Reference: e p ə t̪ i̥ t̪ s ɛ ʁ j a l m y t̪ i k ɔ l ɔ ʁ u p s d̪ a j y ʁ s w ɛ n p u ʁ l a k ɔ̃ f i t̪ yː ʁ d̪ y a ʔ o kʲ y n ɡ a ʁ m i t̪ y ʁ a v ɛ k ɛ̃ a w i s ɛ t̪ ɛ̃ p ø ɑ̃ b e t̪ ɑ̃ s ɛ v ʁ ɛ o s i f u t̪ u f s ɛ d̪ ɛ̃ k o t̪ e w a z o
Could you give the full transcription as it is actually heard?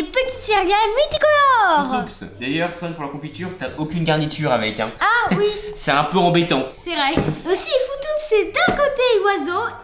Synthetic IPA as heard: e p ə t̪ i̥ t̪ s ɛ ʁ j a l m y t̪ i k ɔ l ɔ ʁ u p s d̪ a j œ ʁ s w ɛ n p u ʁ l a k ɔ̃ f i t̪ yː ʁ t̪ y a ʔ o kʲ y n ɡ a ʁ n i t̪ y ʁ a v ɛ k ɛ̃ a w i s ɛ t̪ ɛ̃ p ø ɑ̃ b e t̪ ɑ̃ s ɛ v ʁ ɛ o s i f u t̪ u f s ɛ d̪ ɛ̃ k o t̪ e w a z o